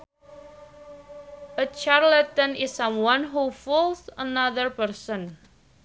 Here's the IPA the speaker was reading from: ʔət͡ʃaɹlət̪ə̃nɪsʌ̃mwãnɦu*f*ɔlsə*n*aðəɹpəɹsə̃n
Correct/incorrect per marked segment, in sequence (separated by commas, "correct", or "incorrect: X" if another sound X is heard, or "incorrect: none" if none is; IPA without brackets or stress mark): correct, correct